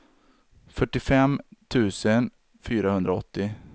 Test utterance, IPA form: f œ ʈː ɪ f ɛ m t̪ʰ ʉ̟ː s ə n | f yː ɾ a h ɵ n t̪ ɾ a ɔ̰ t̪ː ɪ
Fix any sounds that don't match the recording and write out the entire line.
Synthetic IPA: f œ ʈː ɪ f ɛ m t̪ʰ ʉ̟ː s ə n | f yː ɾ a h ɵ n d̪ ɾ a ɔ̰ t̪ː ɪ